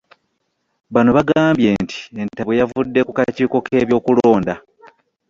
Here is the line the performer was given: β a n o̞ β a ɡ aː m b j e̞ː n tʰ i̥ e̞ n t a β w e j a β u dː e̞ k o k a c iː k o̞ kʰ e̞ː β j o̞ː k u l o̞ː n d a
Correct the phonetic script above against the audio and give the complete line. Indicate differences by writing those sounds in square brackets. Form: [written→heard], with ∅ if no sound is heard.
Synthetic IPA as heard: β a n o̞ β a ɡ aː m b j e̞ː n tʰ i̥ e̞ n t a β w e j a [β→v] u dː e̞ k [o→u] k a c iː k o̞ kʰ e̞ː β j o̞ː k u l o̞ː n d a